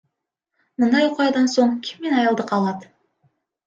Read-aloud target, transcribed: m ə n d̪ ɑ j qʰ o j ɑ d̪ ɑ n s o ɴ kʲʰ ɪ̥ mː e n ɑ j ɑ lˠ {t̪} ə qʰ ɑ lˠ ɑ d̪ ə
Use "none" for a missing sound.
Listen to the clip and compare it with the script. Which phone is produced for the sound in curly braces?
d̪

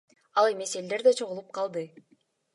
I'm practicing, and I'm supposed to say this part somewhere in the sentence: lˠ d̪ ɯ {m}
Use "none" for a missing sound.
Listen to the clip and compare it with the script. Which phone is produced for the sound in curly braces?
none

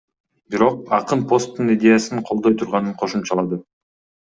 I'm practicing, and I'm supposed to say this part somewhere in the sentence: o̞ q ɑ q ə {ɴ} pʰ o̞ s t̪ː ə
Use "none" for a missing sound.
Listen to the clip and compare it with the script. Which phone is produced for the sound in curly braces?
n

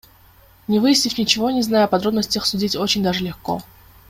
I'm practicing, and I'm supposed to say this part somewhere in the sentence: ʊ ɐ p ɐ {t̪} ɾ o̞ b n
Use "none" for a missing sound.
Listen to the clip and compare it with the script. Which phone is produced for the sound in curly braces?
d̪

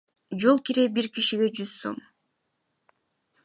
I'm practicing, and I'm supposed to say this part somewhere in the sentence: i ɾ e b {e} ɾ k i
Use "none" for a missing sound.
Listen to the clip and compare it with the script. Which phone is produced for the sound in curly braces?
i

